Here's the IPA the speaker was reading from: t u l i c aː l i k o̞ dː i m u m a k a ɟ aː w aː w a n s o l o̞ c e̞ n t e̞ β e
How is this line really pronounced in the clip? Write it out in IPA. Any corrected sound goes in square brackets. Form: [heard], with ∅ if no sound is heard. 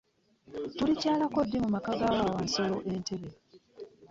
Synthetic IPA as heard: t u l i c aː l [a] k o̞ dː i m u m a k a [ɡ] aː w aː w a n s o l o̞ [ʔ] e̞ n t e̞ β e